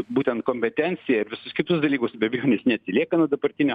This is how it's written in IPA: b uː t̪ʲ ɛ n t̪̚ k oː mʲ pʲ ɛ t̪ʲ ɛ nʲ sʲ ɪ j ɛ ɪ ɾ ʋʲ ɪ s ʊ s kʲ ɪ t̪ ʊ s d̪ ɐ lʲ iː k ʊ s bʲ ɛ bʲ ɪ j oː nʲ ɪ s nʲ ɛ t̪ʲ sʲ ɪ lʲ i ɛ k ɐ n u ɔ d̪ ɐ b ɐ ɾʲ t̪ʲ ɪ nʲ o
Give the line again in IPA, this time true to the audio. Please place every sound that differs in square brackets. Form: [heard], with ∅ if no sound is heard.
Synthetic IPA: b uː t̪ʲ ɛ n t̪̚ k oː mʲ pʲ ɛ t̪ʲ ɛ nʲ sʲ ɪ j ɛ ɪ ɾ ʋʲ ɪ s ʊ s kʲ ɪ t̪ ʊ s d̪ ɐ lʲ iː k ʊ s bʲ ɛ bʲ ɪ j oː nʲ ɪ s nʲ ɛ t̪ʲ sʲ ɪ lʲ i ɛ k ɐ n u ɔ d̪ ɐ b ɐ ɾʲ t̪ʲ ɪ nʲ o